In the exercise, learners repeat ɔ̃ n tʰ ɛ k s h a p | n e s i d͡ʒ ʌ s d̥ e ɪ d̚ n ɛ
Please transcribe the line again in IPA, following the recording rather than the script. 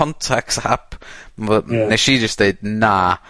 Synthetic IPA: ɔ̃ n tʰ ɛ k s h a p | n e ʃ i d͡ʒ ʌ s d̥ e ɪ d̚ n a